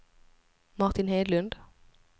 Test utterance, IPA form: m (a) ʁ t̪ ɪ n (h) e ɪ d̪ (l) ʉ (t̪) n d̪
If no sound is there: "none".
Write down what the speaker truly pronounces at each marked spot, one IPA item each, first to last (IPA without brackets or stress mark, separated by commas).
ɑ, h, l, none